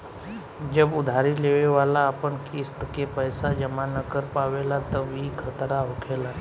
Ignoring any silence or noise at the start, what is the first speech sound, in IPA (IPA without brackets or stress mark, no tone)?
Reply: d͡ʒ